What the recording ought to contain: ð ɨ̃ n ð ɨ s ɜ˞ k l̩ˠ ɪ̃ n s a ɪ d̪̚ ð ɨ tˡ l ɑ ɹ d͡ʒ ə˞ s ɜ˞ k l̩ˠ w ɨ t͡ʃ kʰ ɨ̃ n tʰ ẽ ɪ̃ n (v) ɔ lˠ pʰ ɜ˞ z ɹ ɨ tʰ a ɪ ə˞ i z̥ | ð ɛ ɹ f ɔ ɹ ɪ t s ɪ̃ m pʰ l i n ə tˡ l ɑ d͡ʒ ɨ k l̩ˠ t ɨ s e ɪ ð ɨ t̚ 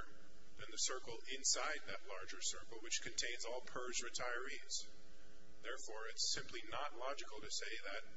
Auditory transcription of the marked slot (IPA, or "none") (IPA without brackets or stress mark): z